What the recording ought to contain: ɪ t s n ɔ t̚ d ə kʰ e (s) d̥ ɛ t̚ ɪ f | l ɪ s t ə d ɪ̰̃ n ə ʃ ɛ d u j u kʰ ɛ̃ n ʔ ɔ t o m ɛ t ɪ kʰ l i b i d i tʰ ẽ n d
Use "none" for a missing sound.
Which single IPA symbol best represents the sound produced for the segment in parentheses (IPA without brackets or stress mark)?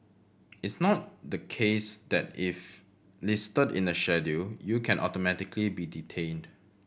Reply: s